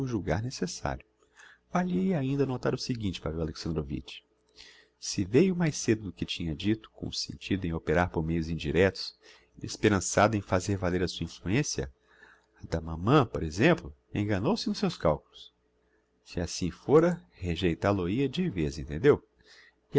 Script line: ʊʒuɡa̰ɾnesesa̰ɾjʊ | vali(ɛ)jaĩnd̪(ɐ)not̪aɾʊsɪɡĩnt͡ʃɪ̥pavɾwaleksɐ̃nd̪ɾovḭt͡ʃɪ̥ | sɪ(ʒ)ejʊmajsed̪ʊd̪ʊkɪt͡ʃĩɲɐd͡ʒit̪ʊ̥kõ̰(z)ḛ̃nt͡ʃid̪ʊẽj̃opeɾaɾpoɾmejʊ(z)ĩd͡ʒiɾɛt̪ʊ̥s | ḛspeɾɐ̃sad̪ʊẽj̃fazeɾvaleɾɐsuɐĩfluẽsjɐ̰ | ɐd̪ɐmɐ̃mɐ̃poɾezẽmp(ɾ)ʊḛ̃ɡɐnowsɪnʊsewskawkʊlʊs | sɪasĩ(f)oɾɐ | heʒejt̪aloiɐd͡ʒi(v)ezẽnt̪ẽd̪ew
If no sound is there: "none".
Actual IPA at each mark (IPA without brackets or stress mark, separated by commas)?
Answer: e, ɐ, v, s, z, l, f, v